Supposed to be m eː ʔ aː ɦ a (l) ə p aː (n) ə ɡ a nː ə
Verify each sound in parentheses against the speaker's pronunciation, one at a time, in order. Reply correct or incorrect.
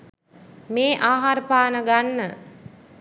incorrect, correct

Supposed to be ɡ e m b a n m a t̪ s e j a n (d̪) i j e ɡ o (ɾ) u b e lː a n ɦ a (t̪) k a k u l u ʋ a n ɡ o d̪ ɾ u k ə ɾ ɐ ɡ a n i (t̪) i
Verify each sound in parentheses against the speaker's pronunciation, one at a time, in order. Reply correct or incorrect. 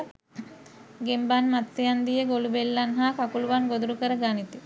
correct, incorrect, incorrect, correct

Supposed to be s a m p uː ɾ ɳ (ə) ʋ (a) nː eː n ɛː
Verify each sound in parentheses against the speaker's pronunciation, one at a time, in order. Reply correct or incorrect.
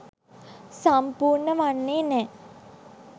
correct, correct

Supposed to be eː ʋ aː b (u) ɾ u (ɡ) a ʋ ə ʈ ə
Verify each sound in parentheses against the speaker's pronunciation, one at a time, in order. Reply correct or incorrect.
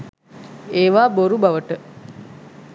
incorrect, incorrect

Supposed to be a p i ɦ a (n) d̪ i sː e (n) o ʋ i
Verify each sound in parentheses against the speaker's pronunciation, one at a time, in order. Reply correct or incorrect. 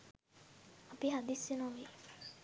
incorrect, correct

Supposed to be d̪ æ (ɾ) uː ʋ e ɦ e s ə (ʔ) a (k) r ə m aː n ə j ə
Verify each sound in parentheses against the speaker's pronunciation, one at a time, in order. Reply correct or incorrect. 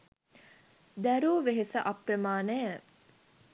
correct, correct, incorrect

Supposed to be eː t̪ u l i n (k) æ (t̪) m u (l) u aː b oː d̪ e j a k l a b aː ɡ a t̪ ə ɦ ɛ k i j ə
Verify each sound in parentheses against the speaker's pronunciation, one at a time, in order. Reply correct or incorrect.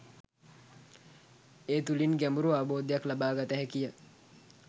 incorrect, incorrect, incorrect

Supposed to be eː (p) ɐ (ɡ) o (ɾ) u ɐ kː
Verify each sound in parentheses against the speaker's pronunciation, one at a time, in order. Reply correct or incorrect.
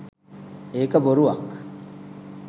incorrect, incorrect, correct

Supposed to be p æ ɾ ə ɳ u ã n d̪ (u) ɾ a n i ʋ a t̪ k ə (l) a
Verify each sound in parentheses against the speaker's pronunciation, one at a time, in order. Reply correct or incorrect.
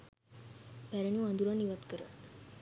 correct, incorrect

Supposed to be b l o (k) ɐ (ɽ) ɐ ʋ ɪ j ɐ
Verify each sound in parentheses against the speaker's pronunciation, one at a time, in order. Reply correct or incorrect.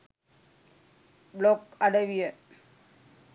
correct, correct

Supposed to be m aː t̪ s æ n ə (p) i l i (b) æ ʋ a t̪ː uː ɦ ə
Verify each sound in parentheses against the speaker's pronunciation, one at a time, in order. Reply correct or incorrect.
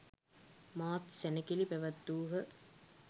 incorrect, incorrect

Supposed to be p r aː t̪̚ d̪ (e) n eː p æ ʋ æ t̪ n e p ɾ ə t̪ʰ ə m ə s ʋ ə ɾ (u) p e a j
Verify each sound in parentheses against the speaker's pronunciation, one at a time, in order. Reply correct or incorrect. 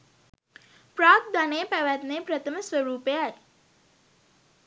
incorrect, incorrect

